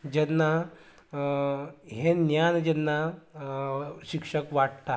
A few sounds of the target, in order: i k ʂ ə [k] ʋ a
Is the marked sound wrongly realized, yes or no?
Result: no